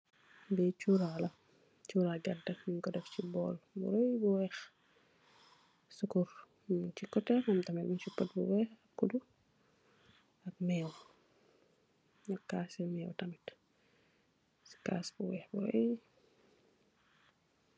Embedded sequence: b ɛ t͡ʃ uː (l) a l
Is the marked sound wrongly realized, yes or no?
yes